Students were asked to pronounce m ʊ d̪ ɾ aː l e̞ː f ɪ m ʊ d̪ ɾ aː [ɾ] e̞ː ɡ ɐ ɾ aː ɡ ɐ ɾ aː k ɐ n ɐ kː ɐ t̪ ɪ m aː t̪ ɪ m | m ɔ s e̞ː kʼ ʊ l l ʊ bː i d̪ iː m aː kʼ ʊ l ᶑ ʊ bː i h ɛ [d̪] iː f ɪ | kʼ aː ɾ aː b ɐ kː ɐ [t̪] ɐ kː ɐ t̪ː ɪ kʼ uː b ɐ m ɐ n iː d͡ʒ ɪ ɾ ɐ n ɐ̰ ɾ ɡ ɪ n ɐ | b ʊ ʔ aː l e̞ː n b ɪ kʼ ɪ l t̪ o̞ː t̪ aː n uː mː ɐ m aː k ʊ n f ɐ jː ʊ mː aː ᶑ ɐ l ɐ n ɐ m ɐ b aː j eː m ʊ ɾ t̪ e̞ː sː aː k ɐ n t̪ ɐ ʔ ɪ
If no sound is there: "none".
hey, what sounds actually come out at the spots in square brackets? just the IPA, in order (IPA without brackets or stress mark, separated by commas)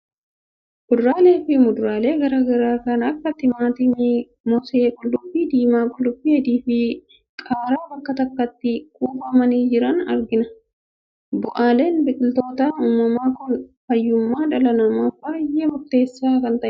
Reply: l, d̪, t̪